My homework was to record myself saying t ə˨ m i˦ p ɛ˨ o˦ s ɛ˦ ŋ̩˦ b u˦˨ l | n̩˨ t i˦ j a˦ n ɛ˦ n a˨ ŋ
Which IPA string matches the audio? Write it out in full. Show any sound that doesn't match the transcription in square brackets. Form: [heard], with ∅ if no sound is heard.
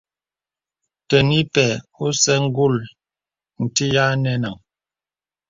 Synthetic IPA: t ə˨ [n] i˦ p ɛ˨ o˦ s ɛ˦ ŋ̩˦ [ɡ] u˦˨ l | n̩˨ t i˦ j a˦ n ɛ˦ n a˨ ŋ